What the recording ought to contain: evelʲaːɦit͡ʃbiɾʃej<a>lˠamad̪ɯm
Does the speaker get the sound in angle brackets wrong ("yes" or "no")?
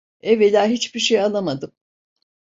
no